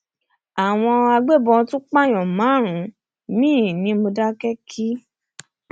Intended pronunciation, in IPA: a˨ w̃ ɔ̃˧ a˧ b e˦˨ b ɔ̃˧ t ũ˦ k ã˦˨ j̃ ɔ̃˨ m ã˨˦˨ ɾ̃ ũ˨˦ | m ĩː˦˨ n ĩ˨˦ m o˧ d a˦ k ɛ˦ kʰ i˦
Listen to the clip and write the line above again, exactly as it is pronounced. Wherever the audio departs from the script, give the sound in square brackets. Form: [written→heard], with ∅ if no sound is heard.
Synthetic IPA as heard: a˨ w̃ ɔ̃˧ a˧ [b→ɡ͡b] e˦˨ b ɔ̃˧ t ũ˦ [k→k͡p] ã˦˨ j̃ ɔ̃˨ m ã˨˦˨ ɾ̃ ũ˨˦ | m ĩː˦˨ n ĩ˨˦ m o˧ d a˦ k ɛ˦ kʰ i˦